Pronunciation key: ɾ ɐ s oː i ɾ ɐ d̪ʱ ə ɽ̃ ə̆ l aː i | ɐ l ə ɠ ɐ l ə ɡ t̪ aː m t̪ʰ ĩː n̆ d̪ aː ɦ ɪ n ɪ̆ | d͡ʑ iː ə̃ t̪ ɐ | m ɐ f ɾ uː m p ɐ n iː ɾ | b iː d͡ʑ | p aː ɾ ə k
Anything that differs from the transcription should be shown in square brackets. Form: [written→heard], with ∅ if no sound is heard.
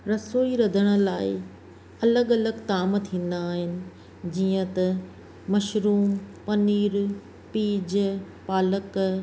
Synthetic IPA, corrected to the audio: ɾ ɐ s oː i ɾ ɐ d̪ʱ ə ɽ̃ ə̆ l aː [i→ɪ] | ɐ l ə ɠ ɐ l ə ɡ t̪ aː m t̪ʰ ĩː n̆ d̪ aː ɦ ɪ n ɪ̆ | d͡ʑ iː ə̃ t̪ ɐ | m ɐ [f→ʃ] ɾ uː m p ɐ n iː ɾ | [b→p] iː d͡ʑ | p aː [ɾ→l] ə k